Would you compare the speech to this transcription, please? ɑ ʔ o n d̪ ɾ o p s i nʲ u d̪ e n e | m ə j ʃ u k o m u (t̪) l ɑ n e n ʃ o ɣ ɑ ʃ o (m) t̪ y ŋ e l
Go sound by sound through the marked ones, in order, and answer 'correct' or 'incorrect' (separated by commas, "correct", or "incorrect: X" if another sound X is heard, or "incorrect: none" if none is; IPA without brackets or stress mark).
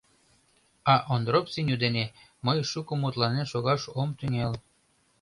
correct, correct